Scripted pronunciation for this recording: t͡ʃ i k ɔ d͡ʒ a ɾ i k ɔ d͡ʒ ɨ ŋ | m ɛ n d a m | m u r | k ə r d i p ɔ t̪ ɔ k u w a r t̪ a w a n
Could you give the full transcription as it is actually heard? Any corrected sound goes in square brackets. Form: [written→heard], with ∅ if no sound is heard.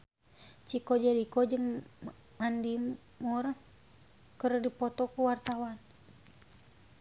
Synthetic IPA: t͡ʃ i k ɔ d͡ʒ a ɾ i k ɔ d͡ʒ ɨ ŋ | m [ɛ→a] n d [a→i] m | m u r | k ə r d i p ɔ t̪ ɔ k u w a r t̪ a w a n

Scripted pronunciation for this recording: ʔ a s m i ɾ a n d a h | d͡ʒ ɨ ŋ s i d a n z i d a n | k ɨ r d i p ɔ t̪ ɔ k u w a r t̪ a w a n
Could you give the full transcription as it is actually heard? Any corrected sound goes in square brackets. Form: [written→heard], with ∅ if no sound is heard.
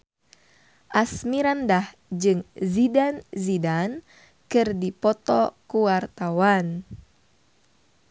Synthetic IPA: ʔ a s m i ɾ a n d a h | d͡ʒ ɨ ŋ [s→z] i d a n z i d a n | k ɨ r d i p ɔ t̪ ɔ k u w a r t̪ a w a n

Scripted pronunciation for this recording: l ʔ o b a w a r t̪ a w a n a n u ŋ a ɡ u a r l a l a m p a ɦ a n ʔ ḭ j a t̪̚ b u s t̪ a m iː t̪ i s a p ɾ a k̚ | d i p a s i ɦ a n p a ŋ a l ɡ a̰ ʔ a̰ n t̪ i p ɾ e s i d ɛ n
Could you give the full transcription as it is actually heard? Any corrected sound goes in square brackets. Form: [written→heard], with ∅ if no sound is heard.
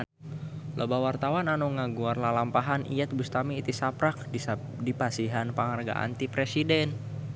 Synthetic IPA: l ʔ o b a w a r t̪ a w a n a n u ŋ a ɡ u a r l a l a m p a ɦ a n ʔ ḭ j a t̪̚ b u s t̪ a m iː t̪ i s a p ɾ a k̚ | d i p a s i ɦ a n p a ŋ a [l→r] ɡ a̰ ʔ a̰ n t̪ i p ɾ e s i d ɛ n

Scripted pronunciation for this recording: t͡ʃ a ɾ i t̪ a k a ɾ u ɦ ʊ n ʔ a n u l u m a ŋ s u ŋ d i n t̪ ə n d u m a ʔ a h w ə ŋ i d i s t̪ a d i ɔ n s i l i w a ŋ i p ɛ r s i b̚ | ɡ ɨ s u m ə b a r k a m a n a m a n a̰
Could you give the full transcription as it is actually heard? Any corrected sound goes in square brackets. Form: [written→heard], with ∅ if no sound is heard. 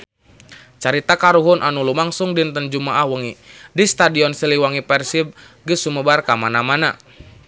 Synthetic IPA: t͡ʃ a ɾ i t̪ a k a ɾ u ɦ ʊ n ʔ a n u l u m a ŋ s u ŋ d i n t̪ ə n [d→d͡ʒ] u m a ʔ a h w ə ŋ i d i s t̪ a d i ɔ n s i l i w a ŋ i p ɛ r s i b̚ | ɡ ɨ s u m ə b a r k a m a n a m a n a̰

